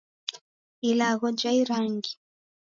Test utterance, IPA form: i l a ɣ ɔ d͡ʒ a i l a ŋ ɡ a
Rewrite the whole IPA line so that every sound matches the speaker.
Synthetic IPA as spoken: i l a ɣ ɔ d͡ʒ a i ɾ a ŋ ɡ i